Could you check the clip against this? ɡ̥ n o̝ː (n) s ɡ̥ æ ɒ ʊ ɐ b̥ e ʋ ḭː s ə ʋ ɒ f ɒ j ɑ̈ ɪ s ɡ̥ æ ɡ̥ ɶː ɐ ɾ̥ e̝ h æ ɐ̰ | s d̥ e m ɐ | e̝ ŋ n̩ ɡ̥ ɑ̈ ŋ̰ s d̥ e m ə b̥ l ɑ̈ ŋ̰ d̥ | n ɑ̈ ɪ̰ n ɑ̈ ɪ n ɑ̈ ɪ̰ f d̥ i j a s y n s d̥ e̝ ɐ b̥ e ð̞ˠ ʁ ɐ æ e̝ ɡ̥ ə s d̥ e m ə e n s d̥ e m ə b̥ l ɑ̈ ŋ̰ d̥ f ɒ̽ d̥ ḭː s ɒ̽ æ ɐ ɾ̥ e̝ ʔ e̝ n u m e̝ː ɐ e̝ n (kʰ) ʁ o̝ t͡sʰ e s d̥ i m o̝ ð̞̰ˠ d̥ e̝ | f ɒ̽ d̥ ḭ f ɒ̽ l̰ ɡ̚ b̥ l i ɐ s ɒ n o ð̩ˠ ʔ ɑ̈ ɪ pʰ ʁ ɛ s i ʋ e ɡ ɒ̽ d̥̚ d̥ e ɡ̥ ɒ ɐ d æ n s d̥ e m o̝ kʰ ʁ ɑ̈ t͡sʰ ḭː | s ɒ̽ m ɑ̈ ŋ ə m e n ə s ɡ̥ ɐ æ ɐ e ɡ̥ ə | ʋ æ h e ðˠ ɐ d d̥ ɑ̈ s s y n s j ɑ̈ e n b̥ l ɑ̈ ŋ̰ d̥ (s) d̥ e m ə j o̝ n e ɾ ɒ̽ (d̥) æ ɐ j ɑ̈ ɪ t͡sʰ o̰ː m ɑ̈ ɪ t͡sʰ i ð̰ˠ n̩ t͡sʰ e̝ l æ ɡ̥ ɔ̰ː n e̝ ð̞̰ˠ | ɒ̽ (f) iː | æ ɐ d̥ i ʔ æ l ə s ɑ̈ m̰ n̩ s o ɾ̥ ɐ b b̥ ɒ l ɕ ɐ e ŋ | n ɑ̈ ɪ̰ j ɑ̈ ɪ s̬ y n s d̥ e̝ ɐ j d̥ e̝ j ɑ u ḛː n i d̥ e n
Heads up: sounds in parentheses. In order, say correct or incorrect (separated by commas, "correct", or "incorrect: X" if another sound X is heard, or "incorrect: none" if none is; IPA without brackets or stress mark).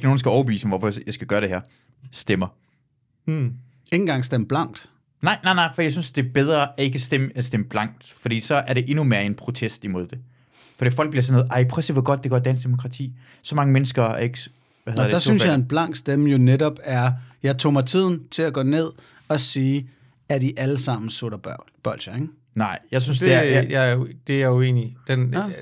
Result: correct, incorrect: pʰ, correct, incorrect: b̥, incorrect: s